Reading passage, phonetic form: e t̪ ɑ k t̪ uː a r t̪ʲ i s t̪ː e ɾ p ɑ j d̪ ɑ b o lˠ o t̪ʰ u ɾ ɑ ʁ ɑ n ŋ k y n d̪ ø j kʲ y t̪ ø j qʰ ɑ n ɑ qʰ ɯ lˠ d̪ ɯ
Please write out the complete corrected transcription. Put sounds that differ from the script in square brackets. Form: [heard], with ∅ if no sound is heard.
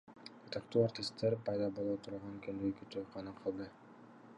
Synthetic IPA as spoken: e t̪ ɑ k t̪ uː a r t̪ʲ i s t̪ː e ɾ p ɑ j d̪ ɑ b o lˠ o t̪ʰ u ɾ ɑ ʁ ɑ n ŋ k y n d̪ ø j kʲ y t̪ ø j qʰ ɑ n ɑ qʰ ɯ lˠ d̪ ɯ